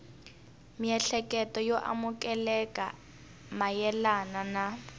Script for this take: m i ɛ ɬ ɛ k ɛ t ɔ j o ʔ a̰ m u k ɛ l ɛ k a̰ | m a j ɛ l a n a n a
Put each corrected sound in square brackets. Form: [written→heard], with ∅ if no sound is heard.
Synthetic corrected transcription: m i ɛ ɬ ɛ k ɛ t ɔ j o ʔ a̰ m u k ɛ l ɛ k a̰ | m a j ɛ l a n a n a